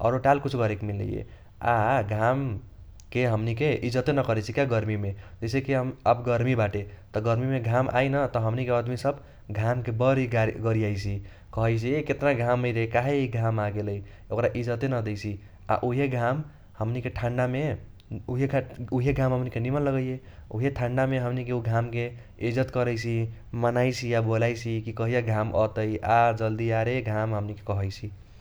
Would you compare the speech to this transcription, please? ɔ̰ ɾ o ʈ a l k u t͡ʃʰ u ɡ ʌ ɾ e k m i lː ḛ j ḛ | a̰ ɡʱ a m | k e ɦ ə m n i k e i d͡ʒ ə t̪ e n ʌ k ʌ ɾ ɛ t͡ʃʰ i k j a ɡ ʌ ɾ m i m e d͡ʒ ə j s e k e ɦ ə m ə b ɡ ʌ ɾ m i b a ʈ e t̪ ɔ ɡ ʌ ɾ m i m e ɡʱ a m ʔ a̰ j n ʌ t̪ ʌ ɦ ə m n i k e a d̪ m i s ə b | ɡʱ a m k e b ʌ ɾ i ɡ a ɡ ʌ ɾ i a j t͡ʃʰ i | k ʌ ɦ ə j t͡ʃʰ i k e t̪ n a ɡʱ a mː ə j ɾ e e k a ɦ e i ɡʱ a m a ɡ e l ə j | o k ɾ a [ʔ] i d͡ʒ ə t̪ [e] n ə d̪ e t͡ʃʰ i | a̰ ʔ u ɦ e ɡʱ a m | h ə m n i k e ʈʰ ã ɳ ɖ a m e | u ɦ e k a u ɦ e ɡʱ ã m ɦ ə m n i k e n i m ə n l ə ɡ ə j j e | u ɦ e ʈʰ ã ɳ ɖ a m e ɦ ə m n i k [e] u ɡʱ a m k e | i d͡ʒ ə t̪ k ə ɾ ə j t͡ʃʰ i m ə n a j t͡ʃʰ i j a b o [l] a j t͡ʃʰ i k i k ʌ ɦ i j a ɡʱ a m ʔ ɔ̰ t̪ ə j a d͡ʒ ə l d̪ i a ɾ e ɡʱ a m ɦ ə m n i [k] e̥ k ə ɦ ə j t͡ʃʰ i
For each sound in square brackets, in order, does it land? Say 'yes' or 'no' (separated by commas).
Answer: yes, yes, yes, yes, yes